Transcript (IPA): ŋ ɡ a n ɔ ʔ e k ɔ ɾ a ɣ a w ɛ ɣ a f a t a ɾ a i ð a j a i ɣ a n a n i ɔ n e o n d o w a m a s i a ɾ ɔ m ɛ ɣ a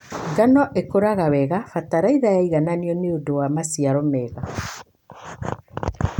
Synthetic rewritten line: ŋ ɡ a n ɔ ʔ e k o ɾ a ɣ a w ɛ ɣ a f a t a ɾ a i ð a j a i ɣ a n a n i ɔ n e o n d o w a m a s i a ɾ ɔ m ɛ ɣ a